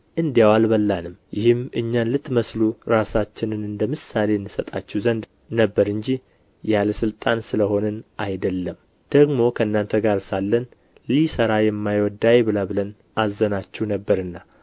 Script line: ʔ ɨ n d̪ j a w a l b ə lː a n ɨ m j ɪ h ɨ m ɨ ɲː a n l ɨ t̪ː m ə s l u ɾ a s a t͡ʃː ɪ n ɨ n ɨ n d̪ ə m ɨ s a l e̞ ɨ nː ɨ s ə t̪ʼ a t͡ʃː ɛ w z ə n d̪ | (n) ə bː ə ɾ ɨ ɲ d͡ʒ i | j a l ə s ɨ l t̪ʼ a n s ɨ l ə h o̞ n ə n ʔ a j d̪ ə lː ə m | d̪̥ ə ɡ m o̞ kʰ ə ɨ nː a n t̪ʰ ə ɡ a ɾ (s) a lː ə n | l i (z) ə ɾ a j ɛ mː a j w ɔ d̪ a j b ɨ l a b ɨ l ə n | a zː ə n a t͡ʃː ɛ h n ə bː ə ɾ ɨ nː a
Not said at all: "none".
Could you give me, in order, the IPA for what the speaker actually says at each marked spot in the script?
n, s, s

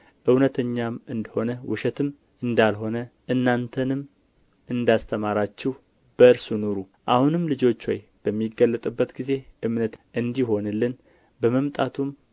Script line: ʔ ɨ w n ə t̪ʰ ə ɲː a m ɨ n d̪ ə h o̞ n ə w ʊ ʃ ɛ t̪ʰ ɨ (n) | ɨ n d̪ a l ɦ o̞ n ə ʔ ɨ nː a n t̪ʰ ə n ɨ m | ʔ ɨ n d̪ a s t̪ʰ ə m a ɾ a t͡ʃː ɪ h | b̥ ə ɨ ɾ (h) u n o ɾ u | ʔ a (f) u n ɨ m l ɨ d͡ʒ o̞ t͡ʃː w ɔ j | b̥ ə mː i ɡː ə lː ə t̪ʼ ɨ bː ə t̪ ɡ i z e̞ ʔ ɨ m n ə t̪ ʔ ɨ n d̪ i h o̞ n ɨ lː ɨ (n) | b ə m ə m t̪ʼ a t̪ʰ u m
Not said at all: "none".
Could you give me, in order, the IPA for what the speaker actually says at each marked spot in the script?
m, s, h, n

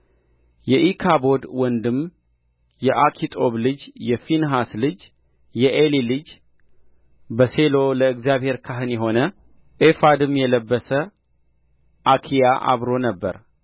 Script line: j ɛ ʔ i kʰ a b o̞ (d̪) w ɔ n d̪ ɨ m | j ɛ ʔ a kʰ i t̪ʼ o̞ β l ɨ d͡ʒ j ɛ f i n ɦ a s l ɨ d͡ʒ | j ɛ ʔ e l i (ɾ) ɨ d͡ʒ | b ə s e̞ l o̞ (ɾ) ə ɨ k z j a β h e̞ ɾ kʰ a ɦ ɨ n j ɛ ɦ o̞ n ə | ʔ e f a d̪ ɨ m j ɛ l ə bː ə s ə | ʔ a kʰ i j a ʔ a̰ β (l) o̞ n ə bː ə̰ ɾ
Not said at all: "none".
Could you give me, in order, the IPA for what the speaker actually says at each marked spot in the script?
d̪, l, l, ɾ

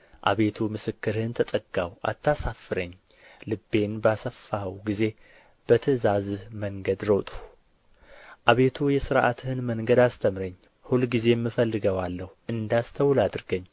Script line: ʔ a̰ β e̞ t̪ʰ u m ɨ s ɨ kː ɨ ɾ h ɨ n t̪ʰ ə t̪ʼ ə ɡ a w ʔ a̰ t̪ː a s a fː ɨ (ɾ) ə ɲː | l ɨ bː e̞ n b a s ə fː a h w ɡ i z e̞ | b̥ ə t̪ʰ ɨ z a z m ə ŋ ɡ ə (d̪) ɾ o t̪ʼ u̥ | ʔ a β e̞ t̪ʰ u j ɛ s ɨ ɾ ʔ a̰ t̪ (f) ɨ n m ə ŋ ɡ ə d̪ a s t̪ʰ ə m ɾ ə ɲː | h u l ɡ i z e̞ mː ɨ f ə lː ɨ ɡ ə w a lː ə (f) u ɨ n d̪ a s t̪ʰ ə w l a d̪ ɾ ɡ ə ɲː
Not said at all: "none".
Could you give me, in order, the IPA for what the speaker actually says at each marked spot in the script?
ɾ, d̪, h, h

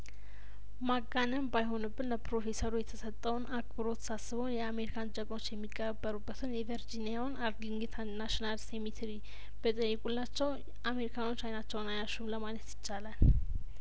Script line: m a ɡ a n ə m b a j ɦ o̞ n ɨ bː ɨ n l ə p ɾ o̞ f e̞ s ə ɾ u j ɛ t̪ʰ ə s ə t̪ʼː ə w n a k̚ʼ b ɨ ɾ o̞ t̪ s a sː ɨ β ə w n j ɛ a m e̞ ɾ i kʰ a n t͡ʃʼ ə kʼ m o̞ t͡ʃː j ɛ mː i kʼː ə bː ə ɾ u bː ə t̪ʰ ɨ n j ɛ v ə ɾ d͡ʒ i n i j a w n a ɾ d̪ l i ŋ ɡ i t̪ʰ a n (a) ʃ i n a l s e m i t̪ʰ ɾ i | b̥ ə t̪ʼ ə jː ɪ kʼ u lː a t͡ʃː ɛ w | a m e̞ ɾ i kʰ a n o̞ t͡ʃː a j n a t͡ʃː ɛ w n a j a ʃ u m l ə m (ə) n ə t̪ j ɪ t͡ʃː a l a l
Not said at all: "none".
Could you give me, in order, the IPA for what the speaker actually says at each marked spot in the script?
a, a

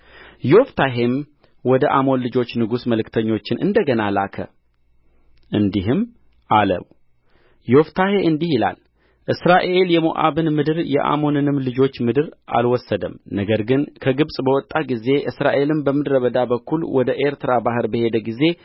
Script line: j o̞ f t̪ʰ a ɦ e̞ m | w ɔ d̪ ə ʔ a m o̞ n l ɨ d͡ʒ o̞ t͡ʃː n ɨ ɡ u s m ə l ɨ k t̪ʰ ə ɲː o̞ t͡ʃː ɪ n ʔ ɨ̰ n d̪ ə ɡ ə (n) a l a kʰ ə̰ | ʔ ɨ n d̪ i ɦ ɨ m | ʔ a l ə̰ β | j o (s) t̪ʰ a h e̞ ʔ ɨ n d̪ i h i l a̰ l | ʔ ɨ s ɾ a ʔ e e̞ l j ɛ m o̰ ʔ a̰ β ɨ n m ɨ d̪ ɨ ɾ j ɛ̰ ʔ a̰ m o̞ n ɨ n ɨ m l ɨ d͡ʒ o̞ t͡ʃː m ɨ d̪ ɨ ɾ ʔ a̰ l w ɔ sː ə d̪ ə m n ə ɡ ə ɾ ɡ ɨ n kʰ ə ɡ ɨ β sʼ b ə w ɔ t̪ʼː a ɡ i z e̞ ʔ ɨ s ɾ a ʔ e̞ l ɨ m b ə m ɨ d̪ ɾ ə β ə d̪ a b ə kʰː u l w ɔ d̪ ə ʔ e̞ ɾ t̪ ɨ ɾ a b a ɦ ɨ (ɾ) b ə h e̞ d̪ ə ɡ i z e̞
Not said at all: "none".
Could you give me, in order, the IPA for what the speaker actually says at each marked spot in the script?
n, f, ɾ

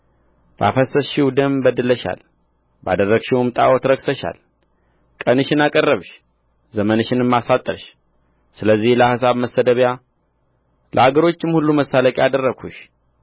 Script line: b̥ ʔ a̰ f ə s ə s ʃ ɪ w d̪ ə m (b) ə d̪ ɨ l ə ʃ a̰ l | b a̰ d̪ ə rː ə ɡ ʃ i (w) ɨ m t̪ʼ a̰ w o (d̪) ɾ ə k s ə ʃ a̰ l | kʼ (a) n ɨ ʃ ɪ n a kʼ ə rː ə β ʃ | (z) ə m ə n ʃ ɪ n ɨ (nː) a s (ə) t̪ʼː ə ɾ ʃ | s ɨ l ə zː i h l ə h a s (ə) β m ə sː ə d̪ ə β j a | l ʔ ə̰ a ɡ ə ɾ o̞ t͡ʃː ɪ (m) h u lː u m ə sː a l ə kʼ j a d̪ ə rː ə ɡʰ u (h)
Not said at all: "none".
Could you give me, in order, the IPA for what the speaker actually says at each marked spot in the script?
b, w, t̪, ə, z, mː, a, a, m, ʃ

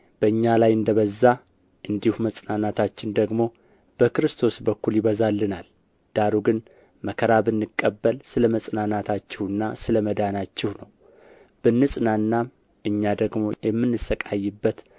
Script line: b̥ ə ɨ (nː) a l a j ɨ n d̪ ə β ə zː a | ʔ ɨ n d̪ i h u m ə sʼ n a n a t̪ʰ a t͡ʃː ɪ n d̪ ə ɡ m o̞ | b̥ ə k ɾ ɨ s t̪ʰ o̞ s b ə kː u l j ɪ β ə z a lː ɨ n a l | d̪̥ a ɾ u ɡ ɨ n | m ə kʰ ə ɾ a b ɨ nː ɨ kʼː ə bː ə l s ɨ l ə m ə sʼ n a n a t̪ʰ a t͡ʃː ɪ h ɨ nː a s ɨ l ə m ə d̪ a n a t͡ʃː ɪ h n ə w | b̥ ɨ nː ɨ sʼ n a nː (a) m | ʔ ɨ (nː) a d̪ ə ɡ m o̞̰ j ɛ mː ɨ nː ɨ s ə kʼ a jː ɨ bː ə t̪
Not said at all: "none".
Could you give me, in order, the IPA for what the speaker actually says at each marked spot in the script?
ɲː, a, ɲː

